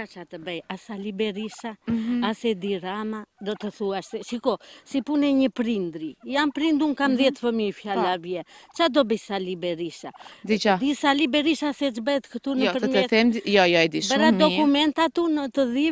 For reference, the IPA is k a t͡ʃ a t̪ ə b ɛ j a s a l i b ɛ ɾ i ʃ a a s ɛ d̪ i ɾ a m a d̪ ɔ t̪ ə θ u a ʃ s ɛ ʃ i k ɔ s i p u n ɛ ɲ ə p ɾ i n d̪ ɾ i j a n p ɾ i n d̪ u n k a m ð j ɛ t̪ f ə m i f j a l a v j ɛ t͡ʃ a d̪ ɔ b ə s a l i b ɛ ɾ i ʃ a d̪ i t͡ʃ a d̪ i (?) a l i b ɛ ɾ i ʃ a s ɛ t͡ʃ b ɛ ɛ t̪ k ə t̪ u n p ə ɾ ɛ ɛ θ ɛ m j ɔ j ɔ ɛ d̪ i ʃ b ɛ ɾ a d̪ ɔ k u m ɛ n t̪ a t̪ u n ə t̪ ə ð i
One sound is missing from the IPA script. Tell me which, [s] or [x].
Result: s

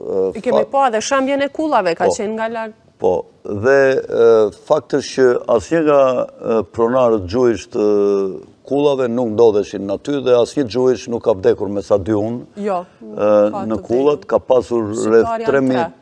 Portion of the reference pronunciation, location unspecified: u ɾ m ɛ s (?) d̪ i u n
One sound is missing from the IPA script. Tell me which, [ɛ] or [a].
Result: a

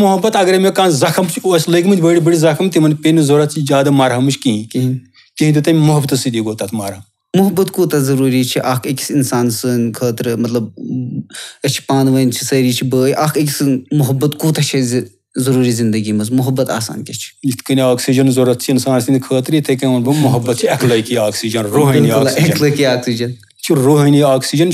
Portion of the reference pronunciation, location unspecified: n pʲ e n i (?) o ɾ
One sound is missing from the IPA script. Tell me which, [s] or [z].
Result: z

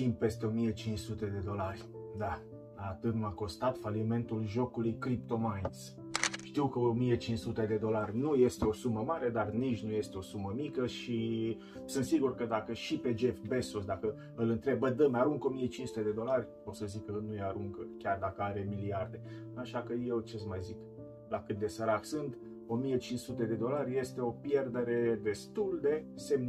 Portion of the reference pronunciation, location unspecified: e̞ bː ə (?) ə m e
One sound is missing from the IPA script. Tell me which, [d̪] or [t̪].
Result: d̪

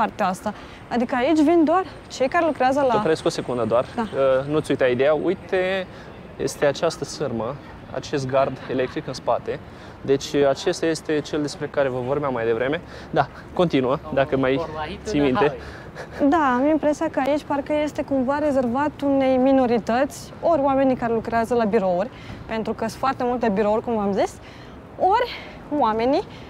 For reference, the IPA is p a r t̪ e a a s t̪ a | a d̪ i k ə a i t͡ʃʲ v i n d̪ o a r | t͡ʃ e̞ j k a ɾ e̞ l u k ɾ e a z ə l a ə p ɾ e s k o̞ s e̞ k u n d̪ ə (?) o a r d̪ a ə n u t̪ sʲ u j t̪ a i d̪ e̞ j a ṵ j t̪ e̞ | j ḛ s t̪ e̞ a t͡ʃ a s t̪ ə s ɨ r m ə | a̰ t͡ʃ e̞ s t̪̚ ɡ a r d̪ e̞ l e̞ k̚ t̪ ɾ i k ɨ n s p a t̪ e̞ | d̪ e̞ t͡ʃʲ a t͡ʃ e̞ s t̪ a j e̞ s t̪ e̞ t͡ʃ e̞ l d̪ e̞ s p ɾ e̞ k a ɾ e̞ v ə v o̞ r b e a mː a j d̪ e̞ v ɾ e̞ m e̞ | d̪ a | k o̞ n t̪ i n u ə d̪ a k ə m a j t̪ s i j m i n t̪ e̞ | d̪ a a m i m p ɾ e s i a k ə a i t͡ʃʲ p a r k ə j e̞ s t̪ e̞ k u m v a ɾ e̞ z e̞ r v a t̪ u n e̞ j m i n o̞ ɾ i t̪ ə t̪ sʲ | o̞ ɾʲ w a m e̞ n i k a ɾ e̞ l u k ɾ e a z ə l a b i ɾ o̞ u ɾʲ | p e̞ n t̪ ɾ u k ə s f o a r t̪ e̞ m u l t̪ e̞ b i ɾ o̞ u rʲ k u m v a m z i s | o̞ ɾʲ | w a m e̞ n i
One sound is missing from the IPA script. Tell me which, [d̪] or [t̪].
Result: d̪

